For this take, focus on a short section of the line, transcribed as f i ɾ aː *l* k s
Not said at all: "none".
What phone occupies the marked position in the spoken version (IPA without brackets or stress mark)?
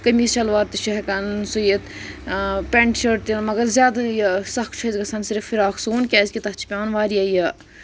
none